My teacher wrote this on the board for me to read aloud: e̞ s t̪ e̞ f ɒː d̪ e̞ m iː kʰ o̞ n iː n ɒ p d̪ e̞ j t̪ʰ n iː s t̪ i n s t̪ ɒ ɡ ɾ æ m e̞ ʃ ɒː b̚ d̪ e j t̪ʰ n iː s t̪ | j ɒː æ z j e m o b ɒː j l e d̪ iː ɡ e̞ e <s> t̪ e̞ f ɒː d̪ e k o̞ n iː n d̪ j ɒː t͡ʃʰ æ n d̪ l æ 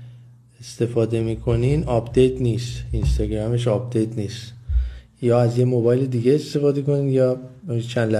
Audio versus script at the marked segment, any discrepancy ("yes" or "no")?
no